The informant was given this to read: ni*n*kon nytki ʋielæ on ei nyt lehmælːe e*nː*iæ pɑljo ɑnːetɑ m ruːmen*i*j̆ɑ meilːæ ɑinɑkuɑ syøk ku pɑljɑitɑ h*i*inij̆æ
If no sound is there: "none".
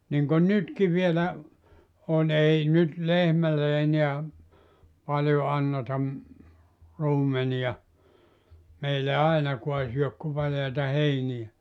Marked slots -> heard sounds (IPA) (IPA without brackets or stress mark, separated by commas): ŋ, n, i, e